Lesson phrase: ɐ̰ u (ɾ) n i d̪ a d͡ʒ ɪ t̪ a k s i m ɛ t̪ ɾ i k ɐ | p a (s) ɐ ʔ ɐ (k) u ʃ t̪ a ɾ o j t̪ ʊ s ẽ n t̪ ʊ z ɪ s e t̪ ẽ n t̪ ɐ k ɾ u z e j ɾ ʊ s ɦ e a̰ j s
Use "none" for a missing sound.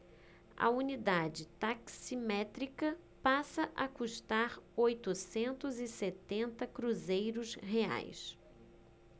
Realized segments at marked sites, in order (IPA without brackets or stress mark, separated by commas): none, s, k